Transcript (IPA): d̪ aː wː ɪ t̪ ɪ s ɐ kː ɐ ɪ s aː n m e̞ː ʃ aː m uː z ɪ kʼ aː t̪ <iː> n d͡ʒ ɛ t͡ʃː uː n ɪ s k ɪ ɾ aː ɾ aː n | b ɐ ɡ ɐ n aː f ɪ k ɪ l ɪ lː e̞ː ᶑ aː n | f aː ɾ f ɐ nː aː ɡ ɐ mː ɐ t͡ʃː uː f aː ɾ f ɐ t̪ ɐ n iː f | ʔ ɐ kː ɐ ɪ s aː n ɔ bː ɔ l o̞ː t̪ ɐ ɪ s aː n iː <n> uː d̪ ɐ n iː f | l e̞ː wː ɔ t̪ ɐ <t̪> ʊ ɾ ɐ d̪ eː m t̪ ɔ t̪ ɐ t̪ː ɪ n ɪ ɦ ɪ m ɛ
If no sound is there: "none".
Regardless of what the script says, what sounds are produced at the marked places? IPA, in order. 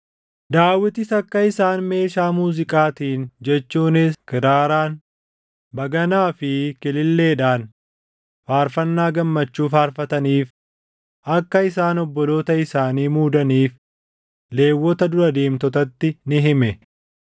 iː, m, d̪

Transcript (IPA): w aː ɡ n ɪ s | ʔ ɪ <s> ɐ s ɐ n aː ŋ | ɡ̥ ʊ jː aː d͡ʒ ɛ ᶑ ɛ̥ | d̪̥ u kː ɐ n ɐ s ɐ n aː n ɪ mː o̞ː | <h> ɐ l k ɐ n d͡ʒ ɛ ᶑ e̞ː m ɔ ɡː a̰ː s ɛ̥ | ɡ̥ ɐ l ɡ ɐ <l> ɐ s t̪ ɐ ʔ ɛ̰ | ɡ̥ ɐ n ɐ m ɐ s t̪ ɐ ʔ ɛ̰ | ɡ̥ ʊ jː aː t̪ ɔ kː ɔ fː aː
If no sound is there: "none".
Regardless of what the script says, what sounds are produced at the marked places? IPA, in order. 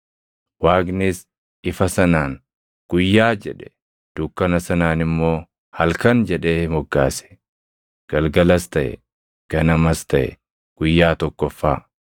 f, h, l

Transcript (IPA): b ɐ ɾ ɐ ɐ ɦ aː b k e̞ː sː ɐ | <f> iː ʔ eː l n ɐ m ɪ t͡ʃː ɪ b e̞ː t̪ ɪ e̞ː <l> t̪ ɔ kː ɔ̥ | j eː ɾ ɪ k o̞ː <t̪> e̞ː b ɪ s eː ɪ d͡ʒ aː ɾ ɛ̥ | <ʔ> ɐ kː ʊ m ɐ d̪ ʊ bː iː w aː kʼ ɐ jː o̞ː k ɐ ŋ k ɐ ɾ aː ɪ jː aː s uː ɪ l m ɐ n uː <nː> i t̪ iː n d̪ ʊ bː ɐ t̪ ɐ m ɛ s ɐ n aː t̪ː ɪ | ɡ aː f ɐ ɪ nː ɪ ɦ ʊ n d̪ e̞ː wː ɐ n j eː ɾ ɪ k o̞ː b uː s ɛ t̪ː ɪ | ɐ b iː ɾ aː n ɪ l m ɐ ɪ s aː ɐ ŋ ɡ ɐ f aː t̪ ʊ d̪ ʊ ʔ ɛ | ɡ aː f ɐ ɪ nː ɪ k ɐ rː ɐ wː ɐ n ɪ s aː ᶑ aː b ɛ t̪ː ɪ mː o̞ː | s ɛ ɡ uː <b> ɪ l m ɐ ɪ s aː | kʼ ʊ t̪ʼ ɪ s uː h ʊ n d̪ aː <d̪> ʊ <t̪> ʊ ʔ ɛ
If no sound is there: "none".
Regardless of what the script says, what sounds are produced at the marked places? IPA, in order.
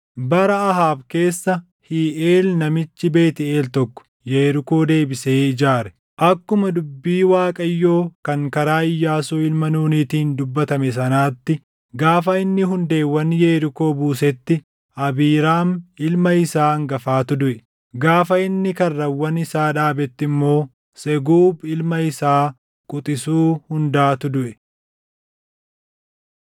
h, l, d̪, ʔ, n, b, t̪, d̪

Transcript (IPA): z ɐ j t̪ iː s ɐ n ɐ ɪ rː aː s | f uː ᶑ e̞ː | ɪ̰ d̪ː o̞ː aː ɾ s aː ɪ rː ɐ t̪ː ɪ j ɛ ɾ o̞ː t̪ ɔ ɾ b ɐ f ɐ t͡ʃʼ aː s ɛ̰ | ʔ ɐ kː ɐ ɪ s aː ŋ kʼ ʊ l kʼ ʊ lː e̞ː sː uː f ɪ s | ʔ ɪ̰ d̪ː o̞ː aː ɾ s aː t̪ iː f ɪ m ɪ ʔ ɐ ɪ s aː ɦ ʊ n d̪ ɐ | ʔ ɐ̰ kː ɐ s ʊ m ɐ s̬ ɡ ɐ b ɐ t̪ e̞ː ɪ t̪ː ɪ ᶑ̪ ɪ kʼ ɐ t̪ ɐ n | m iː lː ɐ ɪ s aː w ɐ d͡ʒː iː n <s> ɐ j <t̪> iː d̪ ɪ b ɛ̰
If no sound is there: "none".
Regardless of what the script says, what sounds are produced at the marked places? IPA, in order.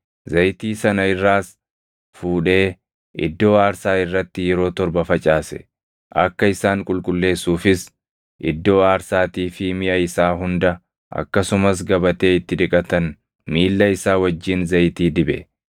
z, t̪

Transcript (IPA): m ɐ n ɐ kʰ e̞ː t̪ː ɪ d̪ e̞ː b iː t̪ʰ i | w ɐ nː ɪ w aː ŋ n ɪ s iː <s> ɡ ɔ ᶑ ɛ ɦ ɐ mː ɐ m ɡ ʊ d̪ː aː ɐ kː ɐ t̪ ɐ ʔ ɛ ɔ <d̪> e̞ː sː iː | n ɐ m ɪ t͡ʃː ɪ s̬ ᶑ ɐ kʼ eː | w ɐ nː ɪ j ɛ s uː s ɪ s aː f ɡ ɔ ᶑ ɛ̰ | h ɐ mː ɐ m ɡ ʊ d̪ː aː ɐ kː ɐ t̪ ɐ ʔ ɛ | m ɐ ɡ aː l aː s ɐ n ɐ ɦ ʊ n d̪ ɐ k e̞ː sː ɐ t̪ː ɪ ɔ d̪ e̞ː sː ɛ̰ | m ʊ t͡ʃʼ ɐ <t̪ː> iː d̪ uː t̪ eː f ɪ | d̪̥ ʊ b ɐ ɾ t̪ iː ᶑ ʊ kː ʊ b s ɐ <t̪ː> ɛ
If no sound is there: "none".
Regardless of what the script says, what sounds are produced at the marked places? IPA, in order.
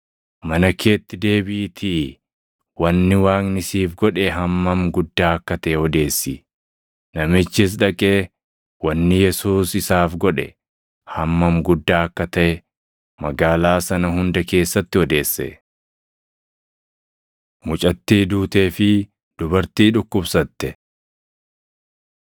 f, d̪, t̪ː, t̪ː

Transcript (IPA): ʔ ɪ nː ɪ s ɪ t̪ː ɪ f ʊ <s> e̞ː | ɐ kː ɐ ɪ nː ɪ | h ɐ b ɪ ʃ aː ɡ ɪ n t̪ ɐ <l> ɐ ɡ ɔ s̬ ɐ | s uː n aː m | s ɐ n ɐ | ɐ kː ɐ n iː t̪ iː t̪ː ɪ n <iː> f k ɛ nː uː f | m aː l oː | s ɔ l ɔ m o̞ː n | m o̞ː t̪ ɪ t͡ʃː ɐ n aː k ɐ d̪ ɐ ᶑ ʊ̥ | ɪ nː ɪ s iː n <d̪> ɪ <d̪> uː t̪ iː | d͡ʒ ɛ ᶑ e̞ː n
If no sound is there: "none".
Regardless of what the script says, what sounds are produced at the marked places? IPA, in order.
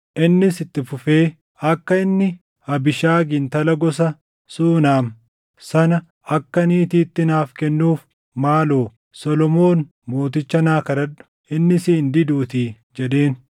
f, l, aː, d̪, d̪

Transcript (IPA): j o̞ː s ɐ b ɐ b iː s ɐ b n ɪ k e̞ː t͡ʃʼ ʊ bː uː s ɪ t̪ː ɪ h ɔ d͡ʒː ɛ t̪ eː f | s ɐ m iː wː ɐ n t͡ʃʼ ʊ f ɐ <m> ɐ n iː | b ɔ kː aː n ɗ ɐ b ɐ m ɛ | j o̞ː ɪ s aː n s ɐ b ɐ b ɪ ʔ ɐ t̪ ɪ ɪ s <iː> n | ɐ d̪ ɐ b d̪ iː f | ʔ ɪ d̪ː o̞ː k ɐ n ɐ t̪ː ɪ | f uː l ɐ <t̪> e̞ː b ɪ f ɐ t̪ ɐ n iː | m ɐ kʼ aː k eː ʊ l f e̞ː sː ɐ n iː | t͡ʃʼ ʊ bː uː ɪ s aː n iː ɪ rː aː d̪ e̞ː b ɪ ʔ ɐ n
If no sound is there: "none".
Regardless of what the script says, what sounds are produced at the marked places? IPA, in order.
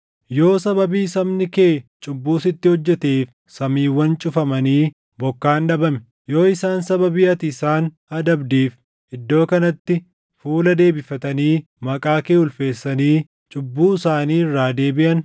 m, aː, d̪

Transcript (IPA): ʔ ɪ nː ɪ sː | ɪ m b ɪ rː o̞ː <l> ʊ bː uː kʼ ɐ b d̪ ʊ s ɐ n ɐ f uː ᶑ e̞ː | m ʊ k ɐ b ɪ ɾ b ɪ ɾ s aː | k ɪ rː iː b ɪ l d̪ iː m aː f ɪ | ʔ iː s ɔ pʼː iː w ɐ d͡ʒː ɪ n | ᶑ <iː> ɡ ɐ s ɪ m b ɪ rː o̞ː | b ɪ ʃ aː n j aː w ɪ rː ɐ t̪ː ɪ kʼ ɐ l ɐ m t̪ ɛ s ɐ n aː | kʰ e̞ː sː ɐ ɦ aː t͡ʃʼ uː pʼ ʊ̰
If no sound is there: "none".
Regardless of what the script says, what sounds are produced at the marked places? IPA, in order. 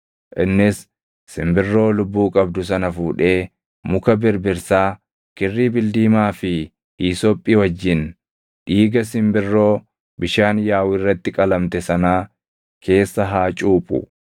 l, iː

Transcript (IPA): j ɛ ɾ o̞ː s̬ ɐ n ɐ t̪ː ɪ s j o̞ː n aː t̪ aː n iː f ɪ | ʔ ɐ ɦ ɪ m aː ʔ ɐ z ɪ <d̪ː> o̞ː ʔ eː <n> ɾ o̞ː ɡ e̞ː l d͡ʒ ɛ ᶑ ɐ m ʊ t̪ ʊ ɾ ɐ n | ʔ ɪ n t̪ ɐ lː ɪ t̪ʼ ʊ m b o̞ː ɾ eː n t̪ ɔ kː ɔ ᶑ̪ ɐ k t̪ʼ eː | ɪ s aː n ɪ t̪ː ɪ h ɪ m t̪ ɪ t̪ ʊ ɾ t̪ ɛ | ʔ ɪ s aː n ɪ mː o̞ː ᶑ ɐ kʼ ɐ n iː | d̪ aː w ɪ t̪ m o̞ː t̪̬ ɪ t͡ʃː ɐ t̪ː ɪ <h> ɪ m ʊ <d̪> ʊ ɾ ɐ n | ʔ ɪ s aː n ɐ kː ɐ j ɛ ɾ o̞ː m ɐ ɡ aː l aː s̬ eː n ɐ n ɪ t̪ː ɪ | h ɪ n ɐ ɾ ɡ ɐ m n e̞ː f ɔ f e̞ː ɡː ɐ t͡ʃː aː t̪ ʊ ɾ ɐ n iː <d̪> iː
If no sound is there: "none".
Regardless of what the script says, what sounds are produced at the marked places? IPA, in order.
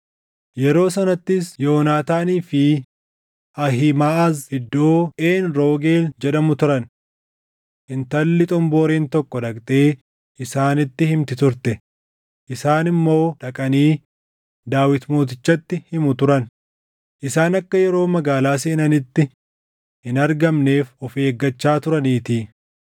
d̪ː, n, h, t̪, t̪

